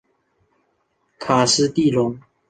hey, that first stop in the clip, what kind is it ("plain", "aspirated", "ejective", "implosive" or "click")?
aspirated